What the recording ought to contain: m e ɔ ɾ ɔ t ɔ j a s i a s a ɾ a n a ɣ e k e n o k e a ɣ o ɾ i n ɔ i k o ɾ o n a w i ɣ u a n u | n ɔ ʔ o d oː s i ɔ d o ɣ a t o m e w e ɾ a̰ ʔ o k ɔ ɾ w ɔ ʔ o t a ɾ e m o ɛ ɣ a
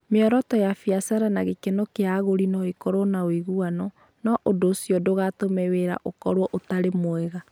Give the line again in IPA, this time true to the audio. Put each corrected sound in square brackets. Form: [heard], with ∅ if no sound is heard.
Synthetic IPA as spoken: m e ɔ ɾ ɔ t ɔ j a [f] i a s a ɾ a n a ɣ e k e n o k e a ɣ o ɾ i n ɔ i k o ɾ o n a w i ɣ u a n [ɔ] | n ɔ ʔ o d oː s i ɔ d o ɣ a t o m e w e ɾ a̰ ʔ o k ɔ ɾ w ɔ ʔ o t a ɾ e m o ɛ ɣ a